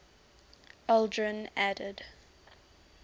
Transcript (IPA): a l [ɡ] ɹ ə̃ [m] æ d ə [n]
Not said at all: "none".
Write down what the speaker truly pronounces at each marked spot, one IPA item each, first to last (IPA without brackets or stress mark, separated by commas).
d, n, d